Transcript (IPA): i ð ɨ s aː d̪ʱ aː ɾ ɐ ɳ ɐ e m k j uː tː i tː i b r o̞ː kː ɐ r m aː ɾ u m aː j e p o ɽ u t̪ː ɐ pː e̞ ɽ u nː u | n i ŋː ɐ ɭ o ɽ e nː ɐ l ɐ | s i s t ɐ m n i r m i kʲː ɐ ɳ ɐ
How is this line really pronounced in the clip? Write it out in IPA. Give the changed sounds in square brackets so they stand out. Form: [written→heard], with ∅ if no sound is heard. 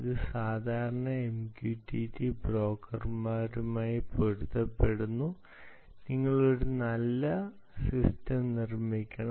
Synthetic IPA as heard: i ð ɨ s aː d̪ʱ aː ɾ ɐ ɳ ɐ e m k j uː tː i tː i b r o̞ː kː ɐ r m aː ɾ u m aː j [e→i] p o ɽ u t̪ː ɐ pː e̞ ɽ u nː u | n i ŋː ɐ ɭ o ɽ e [nː→n] ɐ [l→lː] ɐ | s i s t ɐ m n i r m i kʲː ɐ ɳ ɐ